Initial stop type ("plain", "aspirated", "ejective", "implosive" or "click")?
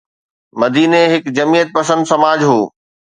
plain